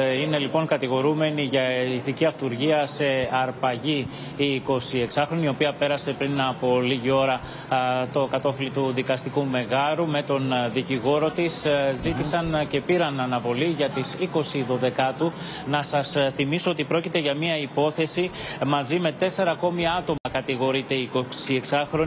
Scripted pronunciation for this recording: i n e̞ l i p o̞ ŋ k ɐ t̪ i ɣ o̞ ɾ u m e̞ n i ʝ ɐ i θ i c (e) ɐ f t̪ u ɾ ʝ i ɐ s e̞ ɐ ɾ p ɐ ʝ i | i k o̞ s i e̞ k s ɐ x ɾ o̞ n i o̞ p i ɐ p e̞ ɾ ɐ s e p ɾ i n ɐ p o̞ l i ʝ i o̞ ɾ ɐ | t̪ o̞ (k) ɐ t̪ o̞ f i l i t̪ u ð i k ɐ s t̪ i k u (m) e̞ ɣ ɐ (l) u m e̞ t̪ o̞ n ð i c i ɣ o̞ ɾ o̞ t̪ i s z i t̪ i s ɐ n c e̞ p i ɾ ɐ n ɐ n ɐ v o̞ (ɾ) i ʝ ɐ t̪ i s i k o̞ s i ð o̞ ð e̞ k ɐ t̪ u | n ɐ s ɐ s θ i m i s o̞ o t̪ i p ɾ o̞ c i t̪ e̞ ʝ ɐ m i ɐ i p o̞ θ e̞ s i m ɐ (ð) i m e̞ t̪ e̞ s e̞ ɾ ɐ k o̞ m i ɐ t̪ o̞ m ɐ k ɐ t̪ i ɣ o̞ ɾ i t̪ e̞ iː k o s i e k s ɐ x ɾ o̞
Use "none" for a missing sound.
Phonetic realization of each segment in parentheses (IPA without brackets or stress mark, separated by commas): i, k, m, ɾ, l, z